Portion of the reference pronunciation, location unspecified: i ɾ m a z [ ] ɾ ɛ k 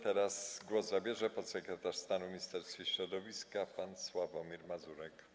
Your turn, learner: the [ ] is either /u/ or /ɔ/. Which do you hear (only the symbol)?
u